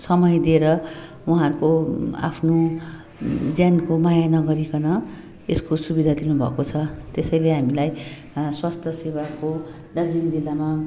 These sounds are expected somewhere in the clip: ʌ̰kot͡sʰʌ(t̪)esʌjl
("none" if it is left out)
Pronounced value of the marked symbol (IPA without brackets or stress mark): t̪